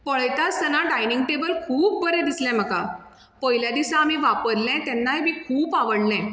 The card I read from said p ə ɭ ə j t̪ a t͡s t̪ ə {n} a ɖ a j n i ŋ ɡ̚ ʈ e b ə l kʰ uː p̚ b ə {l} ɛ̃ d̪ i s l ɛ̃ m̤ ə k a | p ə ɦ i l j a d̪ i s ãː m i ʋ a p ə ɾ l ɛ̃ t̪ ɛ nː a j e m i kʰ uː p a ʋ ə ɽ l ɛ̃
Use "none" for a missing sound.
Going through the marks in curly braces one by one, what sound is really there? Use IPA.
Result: n, ɾ

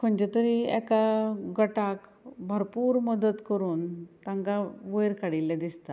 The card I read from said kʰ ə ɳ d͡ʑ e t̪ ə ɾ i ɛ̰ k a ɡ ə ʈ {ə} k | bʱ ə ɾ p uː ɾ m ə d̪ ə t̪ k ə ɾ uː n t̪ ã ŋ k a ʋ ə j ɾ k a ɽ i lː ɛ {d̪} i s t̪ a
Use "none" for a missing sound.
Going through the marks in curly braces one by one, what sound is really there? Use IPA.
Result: a, d̪

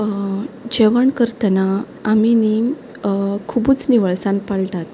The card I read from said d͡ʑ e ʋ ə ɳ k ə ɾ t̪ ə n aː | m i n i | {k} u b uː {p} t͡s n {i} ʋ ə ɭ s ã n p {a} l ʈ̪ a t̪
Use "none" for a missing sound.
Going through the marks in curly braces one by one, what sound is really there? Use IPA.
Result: kʰ, none, i, a

